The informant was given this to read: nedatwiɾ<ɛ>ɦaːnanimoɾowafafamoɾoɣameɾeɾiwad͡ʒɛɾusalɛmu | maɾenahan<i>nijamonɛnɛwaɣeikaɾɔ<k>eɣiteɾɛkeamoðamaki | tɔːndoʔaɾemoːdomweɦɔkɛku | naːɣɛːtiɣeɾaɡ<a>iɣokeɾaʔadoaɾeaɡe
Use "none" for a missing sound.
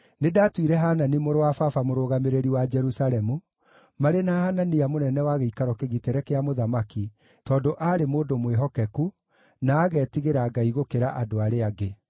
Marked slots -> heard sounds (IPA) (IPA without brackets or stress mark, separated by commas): ɛ, a, k, a